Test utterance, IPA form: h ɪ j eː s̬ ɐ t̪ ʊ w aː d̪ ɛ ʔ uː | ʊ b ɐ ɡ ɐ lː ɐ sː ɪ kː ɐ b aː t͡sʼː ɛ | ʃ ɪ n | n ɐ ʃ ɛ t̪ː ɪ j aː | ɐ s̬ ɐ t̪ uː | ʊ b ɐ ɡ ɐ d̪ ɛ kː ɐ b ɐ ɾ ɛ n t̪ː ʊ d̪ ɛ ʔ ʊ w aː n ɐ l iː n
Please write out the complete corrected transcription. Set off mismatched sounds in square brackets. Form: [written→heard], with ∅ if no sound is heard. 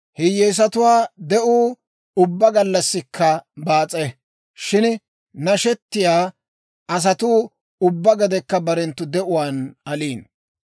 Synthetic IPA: h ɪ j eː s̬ ɐ t̪ ʊ w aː d̪ ɛ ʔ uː | ʊ [b→bː] ɐ ɡ ɐ lː ɐ sː ɪ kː ɐ b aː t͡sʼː ɛ | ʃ ɪ n | n ɐ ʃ ɛ t̪ː ɪ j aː | ɐ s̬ ɐ t̪ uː | ʊ [b→bː] ɐ ɡ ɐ d̪ ɛ kː ɐ b ɐ ɾ ɛ n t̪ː ʊ d̪ ɛ ʔ ʊ w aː n ɐ l iː n